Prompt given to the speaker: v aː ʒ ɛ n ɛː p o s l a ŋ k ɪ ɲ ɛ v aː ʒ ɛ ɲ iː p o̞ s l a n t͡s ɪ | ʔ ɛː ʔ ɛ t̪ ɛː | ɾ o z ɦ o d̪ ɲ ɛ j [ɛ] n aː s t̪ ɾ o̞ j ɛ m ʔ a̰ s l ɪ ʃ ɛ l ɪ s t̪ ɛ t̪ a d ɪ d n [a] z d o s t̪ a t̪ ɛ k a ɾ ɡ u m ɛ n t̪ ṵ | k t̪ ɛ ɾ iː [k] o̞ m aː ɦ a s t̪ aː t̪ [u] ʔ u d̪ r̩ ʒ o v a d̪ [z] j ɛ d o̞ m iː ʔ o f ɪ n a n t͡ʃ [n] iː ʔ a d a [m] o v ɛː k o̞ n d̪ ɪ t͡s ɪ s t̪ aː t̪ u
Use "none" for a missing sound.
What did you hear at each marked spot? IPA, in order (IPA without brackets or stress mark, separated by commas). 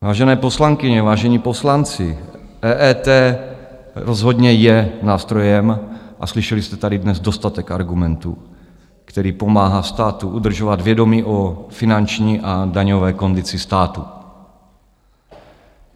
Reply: ɛ, ɛ, p, u, v, ɲ, ɲ